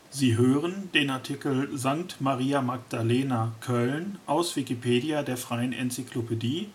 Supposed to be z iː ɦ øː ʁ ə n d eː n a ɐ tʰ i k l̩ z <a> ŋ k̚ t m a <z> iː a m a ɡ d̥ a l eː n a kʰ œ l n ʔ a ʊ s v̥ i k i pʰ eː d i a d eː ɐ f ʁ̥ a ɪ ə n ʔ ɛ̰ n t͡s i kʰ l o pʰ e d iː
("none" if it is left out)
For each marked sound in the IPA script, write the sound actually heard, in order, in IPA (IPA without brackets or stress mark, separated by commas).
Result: a, ʁ